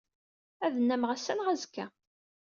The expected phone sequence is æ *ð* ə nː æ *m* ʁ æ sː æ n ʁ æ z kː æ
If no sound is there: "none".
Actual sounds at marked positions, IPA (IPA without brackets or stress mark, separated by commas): ð, m